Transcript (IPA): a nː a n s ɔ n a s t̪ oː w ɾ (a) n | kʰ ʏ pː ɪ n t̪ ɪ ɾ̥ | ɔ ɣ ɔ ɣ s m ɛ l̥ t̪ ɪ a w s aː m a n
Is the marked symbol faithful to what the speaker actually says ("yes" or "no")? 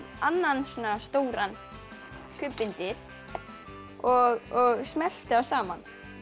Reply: yes